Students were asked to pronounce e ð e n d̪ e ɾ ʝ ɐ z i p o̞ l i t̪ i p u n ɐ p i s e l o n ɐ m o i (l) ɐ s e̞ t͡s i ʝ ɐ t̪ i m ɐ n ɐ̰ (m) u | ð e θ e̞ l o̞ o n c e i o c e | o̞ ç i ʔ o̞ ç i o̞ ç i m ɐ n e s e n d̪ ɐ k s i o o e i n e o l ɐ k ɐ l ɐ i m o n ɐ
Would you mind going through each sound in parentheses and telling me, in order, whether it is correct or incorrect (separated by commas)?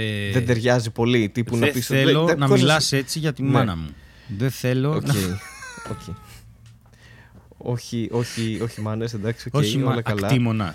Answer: correct, correct